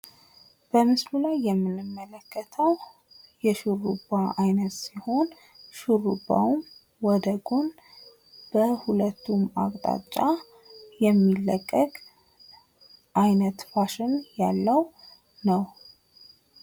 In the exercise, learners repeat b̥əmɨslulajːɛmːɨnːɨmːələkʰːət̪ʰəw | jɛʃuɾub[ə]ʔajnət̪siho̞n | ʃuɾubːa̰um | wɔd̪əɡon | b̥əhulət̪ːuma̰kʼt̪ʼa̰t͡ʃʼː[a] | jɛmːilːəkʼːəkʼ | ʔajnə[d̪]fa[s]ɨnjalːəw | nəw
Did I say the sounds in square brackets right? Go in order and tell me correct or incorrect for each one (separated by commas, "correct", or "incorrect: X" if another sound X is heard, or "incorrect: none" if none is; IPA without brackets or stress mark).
incorrect: a, correct, incorrect: t̪, incorrect: ʃ